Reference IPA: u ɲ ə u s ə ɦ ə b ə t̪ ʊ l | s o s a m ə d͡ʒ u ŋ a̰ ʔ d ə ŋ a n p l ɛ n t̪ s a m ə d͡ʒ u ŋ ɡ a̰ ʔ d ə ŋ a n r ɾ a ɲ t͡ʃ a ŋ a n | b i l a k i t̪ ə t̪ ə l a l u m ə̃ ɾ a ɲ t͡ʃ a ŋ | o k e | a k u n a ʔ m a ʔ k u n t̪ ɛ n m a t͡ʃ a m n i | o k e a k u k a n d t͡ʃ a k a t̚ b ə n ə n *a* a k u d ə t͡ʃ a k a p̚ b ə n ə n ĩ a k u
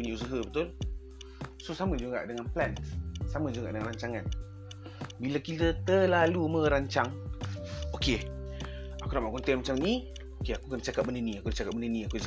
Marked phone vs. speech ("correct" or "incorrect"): incorrect